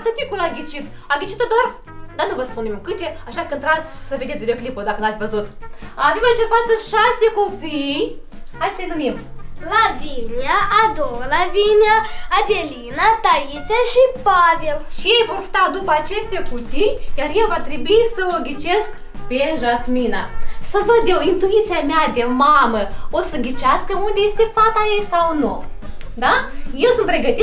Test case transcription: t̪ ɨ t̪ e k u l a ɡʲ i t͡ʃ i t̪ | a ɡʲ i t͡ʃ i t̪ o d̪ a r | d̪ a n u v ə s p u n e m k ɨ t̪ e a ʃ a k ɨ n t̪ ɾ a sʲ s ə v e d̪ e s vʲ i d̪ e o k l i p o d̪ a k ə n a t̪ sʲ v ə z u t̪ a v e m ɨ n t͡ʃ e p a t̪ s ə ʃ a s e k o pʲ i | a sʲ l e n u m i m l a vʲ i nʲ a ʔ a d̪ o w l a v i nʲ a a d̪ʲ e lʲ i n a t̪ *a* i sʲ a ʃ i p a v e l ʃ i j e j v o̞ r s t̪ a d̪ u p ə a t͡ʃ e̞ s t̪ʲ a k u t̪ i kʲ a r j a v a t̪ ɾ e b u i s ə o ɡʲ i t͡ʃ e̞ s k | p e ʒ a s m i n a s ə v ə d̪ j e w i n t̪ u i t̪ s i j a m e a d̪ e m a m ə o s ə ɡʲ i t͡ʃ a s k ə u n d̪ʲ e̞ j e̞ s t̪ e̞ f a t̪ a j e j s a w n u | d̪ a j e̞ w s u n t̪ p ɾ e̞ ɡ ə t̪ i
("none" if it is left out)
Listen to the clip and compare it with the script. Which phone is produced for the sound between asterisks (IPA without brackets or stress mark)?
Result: a